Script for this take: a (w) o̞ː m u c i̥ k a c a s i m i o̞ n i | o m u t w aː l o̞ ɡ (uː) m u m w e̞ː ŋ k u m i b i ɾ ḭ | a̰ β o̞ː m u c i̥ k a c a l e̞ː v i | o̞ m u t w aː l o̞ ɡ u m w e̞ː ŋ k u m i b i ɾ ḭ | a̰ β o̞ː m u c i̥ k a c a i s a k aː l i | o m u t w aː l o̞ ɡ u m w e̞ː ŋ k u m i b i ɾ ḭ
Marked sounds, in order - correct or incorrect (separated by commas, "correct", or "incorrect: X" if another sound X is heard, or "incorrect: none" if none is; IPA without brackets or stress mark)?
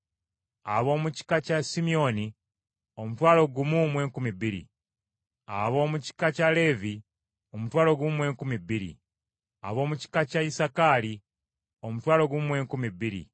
incorrect: β, incorrect: u